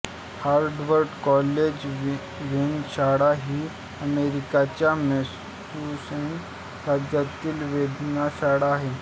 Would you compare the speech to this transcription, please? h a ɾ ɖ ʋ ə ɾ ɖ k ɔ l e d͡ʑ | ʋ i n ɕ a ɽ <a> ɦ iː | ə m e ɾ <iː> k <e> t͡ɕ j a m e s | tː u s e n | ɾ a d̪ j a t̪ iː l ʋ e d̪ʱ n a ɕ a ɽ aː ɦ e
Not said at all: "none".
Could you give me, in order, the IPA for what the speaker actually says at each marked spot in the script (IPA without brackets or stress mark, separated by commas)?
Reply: a, i, a